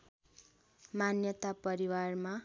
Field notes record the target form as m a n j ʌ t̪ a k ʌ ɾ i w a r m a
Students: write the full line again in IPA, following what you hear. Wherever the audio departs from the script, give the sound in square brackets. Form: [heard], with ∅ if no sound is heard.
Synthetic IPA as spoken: m a n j ʌ t̪ a [p] ʌ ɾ i w a r m a